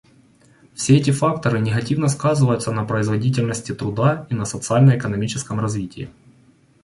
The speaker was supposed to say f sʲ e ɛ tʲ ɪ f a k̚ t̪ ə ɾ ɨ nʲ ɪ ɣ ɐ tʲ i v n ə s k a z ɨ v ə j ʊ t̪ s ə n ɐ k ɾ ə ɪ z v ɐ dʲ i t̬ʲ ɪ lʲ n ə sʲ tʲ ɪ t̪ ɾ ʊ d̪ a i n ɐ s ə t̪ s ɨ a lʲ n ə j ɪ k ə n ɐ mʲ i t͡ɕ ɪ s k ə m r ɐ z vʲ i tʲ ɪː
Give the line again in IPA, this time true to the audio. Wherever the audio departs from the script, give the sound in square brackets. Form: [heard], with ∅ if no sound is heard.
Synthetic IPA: f sʲ e ɛ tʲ ɪ f a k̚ t̪ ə ɾ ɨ nʲ ɪ ɣ ɐ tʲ i v n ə s k a z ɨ v ə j ʊ t̪ s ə n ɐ [p] ɾ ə ɪ z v ɐ dʲ i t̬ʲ ɪ lʲ n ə sʲ tʲ ɪ t̪ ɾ ʊ d̪ a i n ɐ s ə t̪ s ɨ a lʲ n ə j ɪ k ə n ɐ mʲ i t͡ɕ ɪ s k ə m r ɐ z vʲ i tʲ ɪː

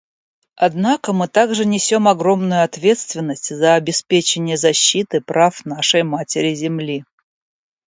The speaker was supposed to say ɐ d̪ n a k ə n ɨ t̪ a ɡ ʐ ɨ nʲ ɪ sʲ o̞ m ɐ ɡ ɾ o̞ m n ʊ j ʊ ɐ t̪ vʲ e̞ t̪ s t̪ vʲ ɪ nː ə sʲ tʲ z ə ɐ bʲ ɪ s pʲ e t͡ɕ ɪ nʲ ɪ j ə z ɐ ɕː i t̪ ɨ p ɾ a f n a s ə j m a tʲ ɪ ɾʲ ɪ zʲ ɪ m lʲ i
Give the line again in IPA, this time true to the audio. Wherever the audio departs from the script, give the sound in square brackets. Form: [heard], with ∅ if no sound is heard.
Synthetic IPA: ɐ d̪ n a k ə [m] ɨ t̪ a ɡ ʐ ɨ nʲ ɪ sʲ o̞ m ɐ ɡ ɾ o̞ m n ʊ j ʊ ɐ t̪ vʲ e̞ t̪ s t̪ vʲ ɪ nː ə sʲ tʲ z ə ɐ bʲ ɪ s pʲ e t͡ɕ ɪ nʲ ɪ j ə z ɐ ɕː i t̪ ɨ p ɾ a f n a [ʂ] ə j m a tʲ ɪ ɾʲ ɪ zʲ ɪ m lʲ i

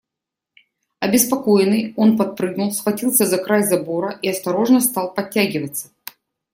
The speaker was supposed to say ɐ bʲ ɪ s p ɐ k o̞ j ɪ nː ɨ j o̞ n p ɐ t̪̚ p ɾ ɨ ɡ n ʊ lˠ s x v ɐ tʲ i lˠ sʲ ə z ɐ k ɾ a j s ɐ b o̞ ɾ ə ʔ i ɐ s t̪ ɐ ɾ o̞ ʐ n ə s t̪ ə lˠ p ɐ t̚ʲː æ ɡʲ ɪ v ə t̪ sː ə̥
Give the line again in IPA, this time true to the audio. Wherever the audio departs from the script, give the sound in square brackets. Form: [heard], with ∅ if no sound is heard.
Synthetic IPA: ɐ bʲ ɪ s p ɐ k o̞ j ɪ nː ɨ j o̞ n p ɐ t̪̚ p ɾ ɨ ɡ n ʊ lˠ s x v ɐ tʲ i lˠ sʲ ə z ɐ k ɾ a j [z] ɐ b o̞ ɾ ə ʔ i ɐ s t̪ ɐ ɾ o̞ ʐ n ə s t̪ [ɑ] lˠ p ɐ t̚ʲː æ ɡʲ ɪ v ə t̪ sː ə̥

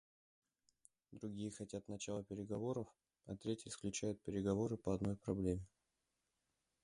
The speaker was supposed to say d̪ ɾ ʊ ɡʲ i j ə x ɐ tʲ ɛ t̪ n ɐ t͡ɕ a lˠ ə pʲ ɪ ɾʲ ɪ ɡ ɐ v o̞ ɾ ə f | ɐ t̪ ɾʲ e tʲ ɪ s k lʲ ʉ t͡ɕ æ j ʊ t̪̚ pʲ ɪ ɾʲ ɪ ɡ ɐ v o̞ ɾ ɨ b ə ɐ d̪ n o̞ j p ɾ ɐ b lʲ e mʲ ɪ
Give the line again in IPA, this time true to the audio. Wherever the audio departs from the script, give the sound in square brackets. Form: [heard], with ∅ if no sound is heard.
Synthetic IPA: d̪ ɾ ʊ ɡʲ i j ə x ɐ tʲ [a] t̪ n ɐ t͡ɕ a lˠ ə pʲ ɪ ɾʲ ɪ ɡ ɐ v o̞ ɾ ə f | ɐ t̪ ɾʲ e tʲ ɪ s k lʲ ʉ t͡ɕ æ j ʊ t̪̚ pʲ ɪ ɾʲ ɪ ɡ ɐ v o̞ ɾ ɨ [p] ə ɐ d̪ n o̞ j p ɾ ɐ b lʲ e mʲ ɪ

